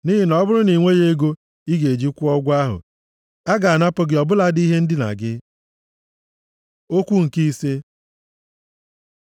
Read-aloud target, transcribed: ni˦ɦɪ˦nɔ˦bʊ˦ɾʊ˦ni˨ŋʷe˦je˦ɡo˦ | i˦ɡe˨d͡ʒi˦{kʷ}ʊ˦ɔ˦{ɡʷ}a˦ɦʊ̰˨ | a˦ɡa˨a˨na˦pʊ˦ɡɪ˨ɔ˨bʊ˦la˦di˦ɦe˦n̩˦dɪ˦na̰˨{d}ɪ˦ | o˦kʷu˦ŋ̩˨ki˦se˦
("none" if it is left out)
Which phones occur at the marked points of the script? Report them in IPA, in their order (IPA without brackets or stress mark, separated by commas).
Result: kʷ, ɡʷ, ɡ